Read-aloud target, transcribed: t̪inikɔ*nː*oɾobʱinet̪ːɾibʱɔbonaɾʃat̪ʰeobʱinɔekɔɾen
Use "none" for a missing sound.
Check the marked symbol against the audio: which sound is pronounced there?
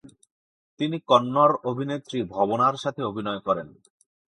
nː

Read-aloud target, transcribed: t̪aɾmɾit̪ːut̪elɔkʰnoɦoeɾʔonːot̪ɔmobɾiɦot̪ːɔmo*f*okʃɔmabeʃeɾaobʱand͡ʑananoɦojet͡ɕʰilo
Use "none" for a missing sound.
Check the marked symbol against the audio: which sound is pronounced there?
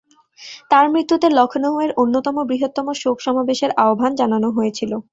ʃ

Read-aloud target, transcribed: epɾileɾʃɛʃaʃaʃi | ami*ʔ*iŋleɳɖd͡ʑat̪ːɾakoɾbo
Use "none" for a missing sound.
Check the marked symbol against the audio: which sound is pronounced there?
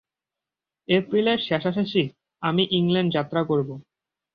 ʔ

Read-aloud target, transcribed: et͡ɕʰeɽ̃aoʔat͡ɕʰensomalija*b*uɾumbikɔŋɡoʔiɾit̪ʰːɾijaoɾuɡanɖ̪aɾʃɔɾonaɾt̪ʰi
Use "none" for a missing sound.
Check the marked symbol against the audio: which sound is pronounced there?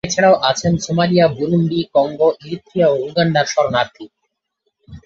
b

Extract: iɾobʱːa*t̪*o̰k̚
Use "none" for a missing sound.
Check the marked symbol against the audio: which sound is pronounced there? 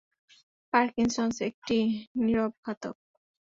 t̪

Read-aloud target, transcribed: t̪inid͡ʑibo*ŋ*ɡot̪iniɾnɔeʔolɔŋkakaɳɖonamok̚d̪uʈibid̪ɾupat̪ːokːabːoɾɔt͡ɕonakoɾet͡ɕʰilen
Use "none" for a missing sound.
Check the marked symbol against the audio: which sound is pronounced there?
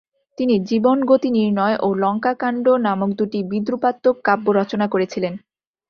n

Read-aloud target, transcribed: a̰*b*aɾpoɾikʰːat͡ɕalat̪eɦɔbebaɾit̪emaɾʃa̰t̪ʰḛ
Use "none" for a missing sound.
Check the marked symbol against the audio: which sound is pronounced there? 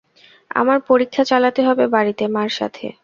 m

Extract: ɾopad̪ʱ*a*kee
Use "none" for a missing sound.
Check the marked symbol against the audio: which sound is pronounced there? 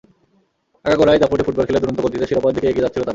i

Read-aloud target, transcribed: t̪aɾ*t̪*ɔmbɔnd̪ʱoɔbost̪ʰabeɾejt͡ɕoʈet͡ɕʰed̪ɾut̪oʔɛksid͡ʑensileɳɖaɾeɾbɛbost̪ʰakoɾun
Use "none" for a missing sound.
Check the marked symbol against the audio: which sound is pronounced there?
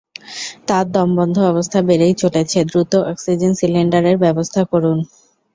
d̪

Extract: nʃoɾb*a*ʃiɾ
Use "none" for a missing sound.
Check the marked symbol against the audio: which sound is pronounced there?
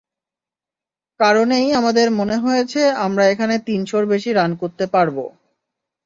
e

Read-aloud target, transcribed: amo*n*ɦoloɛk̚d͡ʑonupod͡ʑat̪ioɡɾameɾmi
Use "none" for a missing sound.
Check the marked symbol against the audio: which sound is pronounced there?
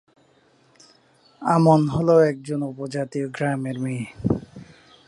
n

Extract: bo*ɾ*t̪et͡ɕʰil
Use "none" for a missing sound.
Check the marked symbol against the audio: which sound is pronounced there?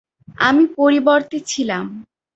ɾ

